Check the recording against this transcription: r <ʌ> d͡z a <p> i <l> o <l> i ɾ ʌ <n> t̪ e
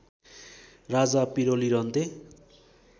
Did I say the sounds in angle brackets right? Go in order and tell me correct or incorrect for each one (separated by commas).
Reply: incorrect, correct, incorrect, correct, correct